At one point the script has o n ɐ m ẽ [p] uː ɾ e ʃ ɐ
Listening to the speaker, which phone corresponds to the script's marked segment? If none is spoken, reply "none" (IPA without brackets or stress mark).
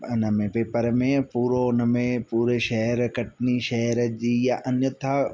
p